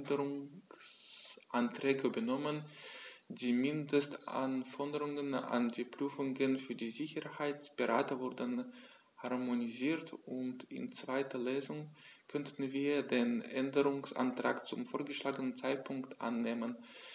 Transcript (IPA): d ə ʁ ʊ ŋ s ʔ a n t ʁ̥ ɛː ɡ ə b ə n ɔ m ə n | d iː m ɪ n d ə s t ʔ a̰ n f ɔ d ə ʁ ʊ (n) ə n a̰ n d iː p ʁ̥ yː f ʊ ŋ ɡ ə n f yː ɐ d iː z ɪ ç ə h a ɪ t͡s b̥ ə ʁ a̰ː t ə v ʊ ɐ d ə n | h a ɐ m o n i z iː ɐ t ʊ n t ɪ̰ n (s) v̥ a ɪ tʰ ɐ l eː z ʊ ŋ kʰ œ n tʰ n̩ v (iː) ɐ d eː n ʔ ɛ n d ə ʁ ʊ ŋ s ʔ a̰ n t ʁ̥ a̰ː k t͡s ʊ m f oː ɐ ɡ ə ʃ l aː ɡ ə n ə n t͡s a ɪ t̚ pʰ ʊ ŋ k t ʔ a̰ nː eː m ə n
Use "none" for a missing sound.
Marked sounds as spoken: ŋ, t͡s, iː

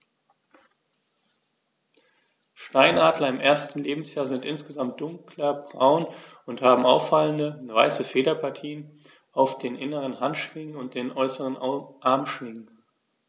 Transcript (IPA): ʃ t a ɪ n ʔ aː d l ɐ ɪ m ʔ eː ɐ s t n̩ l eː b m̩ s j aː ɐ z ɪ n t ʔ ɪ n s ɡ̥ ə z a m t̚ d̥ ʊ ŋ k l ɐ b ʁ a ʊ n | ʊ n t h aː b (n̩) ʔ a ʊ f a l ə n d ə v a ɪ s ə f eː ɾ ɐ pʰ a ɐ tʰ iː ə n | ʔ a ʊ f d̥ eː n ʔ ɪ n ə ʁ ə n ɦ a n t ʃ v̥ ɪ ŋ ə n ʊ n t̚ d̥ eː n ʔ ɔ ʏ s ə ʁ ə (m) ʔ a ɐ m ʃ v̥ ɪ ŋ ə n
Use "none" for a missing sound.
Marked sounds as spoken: m̩, n

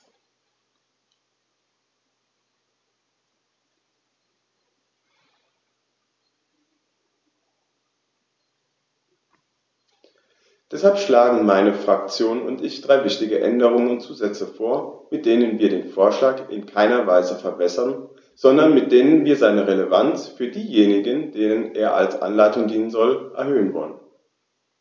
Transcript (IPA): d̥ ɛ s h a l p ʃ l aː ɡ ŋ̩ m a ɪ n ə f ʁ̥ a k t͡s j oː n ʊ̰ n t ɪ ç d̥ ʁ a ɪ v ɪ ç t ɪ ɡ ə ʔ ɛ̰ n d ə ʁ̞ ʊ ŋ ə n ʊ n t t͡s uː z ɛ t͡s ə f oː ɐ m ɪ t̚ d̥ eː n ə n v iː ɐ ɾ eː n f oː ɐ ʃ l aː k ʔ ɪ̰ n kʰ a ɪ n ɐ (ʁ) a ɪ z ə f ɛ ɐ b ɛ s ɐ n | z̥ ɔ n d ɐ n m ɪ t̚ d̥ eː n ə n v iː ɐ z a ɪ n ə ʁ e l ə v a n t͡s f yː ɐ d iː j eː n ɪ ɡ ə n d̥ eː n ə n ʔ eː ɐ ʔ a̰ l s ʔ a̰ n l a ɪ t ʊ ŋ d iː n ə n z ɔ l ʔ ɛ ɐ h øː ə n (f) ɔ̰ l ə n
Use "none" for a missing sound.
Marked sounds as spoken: v, v

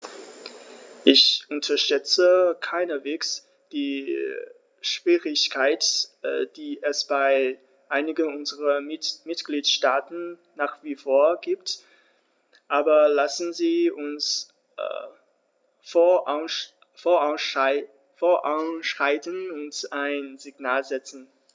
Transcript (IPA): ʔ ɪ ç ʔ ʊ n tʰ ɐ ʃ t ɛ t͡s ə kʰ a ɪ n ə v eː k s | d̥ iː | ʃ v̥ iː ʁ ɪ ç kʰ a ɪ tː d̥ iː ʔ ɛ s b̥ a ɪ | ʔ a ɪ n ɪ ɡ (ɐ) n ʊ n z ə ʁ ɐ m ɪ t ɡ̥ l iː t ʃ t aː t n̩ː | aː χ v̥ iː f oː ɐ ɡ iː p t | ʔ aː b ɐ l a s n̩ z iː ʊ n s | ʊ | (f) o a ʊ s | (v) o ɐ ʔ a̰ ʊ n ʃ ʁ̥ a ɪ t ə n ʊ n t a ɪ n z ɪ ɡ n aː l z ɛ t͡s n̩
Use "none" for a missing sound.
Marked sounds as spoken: ə, f, f

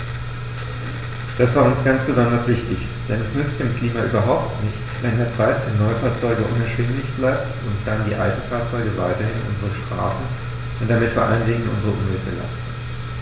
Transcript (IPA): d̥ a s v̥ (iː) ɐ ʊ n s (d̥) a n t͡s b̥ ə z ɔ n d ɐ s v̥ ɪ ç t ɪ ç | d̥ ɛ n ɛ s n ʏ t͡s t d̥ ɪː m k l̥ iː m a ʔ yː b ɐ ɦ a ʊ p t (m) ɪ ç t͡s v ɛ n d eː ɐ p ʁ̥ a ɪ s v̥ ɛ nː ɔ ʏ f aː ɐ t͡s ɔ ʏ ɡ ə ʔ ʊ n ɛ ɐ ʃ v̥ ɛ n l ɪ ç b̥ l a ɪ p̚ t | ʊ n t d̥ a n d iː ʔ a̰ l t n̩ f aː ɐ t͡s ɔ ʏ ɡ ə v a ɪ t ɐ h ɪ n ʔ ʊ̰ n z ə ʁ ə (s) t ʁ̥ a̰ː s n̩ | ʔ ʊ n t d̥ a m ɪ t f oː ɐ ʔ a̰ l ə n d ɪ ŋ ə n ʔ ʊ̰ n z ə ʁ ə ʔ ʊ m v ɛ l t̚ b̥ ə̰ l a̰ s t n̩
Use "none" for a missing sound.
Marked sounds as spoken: aː, ɡ̥, n, ʃ

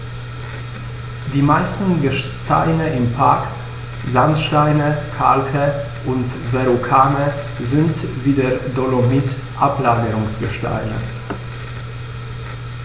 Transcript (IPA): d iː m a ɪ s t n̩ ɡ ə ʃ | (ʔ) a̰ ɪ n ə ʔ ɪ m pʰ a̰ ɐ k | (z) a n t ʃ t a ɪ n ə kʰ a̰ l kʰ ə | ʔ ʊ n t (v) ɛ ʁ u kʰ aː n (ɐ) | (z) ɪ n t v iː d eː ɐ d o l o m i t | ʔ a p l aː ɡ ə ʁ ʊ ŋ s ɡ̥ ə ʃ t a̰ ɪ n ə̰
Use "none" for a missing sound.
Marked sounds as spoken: t, z, v, ə, z

